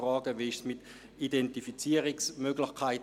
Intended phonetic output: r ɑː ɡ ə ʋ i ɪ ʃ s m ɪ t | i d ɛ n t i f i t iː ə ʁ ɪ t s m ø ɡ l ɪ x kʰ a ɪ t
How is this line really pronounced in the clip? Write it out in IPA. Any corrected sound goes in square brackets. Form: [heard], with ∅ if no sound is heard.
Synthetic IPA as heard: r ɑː ɡ ə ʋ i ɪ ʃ s m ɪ t | i d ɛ n t i f i [t͡s] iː ə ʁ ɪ [k] s m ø ɡ l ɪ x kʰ a ɪ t